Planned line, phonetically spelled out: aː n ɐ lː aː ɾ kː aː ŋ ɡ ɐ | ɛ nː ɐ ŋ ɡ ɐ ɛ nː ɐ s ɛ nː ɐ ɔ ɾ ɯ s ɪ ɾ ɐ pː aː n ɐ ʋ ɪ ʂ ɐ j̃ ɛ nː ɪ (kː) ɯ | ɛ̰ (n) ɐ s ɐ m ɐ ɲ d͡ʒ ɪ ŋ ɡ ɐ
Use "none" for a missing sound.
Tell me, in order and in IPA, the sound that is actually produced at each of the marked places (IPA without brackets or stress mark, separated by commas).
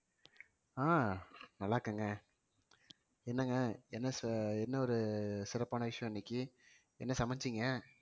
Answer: kː, nː